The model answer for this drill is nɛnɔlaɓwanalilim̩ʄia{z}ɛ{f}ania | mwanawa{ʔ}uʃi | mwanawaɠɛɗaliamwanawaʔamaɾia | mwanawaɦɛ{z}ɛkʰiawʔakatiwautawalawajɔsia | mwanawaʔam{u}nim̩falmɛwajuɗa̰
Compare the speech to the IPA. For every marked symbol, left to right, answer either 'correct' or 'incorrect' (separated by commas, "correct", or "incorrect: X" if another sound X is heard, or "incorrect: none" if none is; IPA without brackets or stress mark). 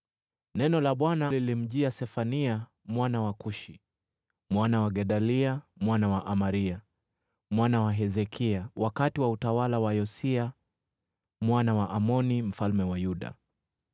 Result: incorrect: s, correct, incorrect: k, correct, incorrect: ɔ